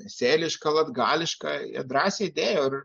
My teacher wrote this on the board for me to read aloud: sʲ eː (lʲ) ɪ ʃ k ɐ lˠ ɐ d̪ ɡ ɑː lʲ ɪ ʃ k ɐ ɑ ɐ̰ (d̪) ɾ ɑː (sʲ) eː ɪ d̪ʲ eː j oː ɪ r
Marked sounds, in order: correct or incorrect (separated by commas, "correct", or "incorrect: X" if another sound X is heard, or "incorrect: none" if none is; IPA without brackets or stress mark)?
correct, correct, correct